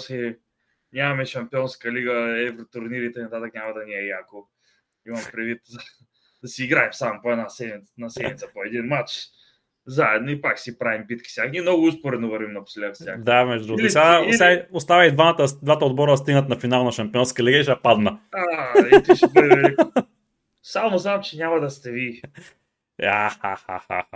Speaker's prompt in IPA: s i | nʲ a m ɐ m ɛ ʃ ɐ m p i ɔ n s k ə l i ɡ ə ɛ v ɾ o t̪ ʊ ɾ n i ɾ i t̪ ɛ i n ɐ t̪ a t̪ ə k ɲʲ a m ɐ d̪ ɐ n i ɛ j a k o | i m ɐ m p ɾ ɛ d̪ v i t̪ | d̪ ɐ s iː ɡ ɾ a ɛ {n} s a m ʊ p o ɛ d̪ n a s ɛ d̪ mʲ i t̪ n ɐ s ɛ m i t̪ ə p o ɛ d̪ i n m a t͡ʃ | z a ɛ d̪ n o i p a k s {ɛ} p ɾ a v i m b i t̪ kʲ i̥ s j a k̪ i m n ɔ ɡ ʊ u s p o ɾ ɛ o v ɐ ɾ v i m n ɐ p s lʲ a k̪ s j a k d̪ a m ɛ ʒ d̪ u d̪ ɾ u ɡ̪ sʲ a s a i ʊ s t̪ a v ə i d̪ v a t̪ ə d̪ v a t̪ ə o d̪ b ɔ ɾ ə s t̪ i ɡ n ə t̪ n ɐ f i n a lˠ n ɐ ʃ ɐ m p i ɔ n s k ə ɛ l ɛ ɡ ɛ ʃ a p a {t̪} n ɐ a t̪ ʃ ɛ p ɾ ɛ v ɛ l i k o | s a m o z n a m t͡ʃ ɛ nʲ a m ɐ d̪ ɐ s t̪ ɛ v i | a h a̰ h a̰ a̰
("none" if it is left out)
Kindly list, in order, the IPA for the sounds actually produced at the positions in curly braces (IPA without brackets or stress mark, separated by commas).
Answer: m, i, d̪